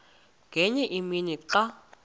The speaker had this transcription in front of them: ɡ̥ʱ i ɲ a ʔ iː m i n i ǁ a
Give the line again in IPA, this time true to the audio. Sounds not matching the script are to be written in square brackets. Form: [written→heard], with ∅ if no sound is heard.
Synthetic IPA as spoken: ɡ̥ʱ [i→ɛ] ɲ [a→ɛ] ʔ [iː→i] m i n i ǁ a